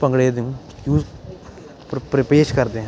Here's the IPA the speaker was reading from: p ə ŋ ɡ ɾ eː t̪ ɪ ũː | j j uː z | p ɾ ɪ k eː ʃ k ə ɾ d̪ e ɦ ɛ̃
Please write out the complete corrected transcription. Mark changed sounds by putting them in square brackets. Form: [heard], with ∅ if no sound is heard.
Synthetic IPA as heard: p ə ŋ ɡ [ɽ] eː [d̪] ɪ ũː | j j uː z | p ɾ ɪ [p] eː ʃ k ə ɾ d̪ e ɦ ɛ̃